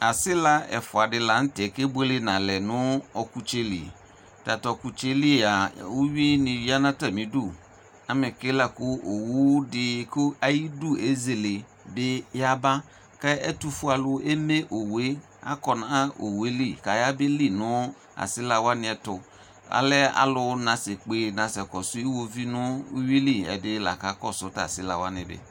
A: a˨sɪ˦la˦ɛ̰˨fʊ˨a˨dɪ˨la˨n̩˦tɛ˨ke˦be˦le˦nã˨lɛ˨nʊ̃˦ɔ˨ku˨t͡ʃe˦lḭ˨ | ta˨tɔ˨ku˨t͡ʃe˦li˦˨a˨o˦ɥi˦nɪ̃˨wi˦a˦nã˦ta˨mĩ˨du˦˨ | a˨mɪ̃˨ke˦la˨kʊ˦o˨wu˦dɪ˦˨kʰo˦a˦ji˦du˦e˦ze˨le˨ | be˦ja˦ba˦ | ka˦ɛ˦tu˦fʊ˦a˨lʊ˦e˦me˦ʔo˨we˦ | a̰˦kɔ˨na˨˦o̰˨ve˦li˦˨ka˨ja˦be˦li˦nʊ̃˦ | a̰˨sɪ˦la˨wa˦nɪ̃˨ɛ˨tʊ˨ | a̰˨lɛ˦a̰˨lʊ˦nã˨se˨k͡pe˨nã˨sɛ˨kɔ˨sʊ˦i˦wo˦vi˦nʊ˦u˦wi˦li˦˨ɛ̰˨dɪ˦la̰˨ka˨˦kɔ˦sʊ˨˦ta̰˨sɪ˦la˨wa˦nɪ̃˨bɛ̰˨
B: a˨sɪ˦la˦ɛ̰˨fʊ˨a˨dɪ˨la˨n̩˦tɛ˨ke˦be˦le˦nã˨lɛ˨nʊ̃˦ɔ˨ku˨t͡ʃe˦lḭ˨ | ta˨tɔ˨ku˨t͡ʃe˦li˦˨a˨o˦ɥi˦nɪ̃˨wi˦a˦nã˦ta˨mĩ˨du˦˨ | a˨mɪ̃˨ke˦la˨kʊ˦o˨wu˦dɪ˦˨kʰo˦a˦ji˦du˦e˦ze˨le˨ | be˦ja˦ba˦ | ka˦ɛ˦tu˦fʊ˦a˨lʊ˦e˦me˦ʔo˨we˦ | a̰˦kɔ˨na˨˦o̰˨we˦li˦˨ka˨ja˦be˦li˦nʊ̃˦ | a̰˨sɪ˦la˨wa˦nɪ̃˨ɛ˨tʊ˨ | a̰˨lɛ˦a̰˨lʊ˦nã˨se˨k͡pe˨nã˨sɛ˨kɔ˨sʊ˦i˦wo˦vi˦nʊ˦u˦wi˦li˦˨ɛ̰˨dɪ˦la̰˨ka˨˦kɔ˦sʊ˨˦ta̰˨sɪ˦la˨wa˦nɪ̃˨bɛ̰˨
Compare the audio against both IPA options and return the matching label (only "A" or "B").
B